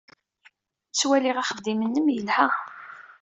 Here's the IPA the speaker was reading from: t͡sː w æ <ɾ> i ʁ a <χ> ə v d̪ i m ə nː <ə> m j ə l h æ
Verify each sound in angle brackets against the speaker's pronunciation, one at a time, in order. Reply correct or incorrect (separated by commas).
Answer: incorrect, correct, correct